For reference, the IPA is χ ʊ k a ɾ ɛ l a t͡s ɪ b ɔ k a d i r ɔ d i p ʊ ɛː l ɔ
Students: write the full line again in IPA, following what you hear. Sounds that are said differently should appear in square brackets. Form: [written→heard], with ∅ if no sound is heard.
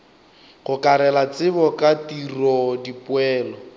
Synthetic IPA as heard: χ ʊ k a ɾ ɛ l a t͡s ɪ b ɔ k a [d→t] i r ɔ d i p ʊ ɛː l ɔ